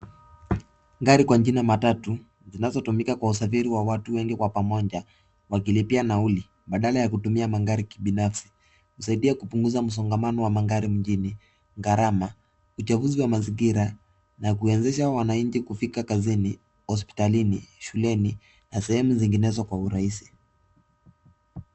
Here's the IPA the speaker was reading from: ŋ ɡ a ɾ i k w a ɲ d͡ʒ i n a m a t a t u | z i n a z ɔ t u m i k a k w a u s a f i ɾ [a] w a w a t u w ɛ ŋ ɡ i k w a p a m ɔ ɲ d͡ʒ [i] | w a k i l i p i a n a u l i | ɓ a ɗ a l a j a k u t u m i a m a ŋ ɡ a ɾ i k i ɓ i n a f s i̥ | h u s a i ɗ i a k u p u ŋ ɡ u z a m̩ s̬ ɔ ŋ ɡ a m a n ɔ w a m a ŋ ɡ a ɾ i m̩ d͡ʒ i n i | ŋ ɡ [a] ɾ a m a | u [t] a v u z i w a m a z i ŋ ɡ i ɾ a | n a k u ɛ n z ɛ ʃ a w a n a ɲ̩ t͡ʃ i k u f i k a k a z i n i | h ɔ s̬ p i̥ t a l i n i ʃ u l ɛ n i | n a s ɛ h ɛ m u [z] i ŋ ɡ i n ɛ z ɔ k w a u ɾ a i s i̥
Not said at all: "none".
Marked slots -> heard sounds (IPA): i, a, a, t͡ʃ, z

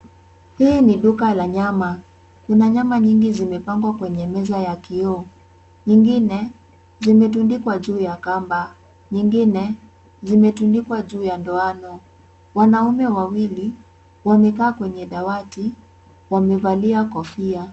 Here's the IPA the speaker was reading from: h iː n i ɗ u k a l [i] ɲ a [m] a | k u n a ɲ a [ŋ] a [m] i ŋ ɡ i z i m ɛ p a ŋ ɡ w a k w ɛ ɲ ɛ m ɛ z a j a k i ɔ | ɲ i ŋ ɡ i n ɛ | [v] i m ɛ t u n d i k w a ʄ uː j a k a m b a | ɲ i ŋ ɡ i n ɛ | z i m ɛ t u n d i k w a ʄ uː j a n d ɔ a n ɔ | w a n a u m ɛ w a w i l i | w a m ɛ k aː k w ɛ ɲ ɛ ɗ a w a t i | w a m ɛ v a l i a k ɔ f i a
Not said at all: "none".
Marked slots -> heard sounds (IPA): a, m, m, ɲ, z

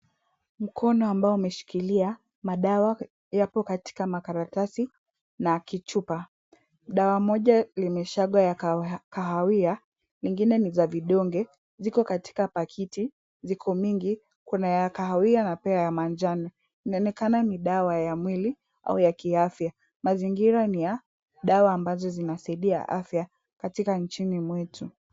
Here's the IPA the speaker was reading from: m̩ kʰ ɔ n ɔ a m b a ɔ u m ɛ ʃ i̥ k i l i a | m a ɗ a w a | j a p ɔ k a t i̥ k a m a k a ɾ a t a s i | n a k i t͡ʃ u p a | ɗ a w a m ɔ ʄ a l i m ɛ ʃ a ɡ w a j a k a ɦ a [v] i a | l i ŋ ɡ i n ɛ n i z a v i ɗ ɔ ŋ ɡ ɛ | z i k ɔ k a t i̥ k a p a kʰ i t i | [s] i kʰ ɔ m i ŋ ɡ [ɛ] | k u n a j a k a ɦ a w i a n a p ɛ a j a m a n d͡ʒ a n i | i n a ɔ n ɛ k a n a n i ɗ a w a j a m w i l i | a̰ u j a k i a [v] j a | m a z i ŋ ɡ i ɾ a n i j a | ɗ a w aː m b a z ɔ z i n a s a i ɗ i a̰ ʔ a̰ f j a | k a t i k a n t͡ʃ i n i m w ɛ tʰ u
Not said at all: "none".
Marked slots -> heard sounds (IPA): w, z, i, f

